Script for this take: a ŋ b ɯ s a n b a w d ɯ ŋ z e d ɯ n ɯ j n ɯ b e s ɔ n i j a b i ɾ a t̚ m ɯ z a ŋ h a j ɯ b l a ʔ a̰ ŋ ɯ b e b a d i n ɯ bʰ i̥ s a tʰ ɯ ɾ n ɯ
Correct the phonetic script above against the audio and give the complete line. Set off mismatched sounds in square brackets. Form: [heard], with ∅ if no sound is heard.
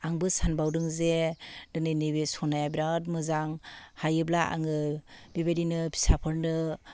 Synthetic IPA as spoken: a ŋ b ɯ s a n b a w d ɯ ŋ z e d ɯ n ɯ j n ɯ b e s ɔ n [a] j a b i ɾ a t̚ m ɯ z a ŋ h a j ɯ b l a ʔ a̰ ŋ ɯ b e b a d i n ɯ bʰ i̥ s a [pʰ] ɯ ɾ n ɯ